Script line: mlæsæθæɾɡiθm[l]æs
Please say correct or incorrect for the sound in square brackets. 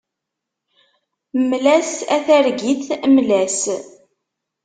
correct